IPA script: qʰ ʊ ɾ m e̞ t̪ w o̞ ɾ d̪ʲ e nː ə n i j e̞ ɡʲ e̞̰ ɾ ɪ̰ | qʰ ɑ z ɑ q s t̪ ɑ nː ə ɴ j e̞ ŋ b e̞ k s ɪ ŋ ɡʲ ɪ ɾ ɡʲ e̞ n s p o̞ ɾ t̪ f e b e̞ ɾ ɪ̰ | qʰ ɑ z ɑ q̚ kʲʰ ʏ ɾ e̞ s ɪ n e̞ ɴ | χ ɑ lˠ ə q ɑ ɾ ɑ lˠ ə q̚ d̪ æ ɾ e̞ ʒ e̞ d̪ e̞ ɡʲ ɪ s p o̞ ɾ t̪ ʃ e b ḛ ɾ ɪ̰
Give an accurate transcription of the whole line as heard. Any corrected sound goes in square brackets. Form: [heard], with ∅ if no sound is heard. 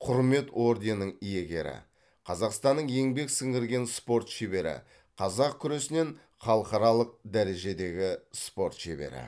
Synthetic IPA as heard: qʰ ʊ ɾ m e̞ t̪ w o̞ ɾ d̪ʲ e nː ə [ɴ] i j e̞ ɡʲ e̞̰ ɾ ɪ̰ | qʰ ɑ z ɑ q s t̪ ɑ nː ə ɴ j e̞ ŋ b e̞ k s ɪ ŋ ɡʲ ɪ ɾ ɡʲ e̞ n s p o̞ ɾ t̪ [ʃ] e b e̞ ɾ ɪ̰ | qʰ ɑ z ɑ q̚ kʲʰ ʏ ɾ e̞ s ɪ n e̞ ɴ | χ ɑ lˠ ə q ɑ ɾ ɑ lˠ ə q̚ d̪ æ ɾ e̞ ʒ e̞ d̪ e̞ ɡʲ ɪ s p o̞ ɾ t̪ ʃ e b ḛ ɾ ɪ̰